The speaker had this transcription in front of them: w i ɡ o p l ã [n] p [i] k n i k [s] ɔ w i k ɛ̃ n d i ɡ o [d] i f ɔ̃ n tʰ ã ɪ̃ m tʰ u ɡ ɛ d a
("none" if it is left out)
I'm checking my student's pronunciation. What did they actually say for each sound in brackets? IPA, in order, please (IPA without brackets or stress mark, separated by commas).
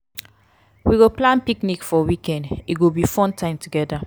n, i, f, b